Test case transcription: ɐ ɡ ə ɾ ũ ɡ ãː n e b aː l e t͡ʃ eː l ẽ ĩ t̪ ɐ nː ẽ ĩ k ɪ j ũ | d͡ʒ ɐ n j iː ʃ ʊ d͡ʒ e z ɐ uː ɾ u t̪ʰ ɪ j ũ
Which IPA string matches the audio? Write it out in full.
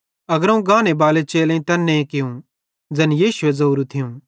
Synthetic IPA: ɐ ɡ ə ɾ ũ ɡ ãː n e b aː l e t͡ʃ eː l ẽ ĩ t̪ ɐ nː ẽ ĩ k ɪ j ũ | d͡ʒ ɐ n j iː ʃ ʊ e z ɐ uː ɾ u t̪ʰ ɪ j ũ